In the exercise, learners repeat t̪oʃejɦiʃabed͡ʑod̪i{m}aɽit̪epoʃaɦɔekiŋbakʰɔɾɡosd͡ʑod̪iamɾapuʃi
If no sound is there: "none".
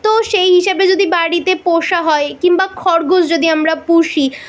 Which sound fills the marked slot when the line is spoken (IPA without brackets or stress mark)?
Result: b